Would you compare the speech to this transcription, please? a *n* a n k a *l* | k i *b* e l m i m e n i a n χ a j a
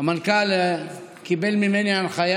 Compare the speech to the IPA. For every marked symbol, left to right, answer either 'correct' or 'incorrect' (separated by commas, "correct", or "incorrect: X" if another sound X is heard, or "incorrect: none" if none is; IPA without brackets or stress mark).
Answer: incorrect: m, correct, correct